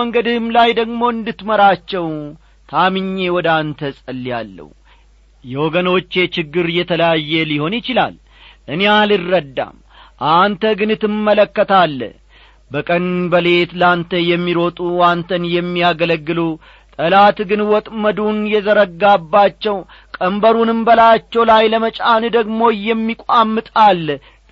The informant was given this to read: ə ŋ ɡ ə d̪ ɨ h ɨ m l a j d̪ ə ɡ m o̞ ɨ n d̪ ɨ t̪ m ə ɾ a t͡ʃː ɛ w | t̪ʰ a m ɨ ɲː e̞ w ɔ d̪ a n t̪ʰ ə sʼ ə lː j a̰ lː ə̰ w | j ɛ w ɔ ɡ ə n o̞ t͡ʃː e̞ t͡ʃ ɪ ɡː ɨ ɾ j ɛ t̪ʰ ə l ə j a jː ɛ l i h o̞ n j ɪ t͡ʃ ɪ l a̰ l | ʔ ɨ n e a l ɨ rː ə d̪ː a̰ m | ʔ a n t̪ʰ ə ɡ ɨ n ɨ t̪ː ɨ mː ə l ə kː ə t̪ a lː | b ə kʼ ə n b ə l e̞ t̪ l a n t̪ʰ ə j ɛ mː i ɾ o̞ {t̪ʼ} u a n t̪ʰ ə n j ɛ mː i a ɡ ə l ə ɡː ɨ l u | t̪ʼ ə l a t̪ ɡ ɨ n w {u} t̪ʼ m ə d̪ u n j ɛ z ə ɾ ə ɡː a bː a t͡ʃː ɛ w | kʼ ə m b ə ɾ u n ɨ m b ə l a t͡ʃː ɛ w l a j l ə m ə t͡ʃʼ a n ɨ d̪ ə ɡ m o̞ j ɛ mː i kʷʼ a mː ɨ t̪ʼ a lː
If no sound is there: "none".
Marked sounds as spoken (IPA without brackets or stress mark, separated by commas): t̪ʼ, ɔ